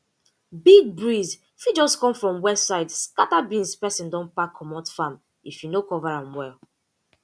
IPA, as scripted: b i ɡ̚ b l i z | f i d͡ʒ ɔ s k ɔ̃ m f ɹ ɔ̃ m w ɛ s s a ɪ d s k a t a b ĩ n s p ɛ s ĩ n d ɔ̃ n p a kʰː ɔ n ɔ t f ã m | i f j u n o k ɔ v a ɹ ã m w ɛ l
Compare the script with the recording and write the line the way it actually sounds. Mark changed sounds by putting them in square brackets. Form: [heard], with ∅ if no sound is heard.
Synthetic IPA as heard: b i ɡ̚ b [ɹ] i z | f i d͡ʒ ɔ s k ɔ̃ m f ɹ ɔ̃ m w ɛ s s a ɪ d s k a t a b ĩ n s p ɛ s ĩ n d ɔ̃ n p a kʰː ɔ [m] ɔ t f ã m | i f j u n o k ɔ v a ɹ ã m w ɛ l